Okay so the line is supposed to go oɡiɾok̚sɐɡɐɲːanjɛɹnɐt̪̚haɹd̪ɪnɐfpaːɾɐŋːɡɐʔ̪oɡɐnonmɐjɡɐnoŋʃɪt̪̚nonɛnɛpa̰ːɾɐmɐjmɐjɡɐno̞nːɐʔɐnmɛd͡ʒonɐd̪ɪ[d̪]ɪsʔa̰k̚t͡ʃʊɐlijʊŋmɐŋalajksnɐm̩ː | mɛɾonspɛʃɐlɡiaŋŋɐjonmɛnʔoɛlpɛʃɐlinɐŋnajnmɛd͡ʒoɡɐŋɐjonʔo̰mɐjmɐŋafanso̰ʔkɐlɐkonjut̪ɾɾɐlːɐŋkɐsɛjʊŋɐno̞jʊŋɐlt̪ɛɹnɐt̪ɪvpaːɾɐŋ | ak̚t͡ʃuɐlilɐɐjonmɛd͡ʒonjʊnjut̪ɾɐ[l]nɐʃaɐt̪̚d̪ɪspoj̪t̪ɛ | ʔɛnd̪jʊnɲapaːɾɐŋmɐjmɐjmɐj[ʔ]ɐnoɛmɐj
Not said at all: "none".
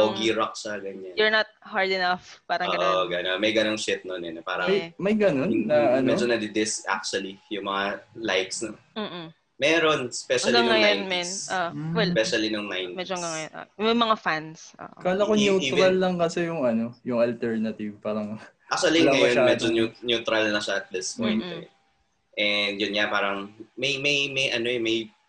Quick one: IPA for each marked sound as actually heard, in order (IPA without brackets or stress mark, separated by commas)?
d̪, l, ʔ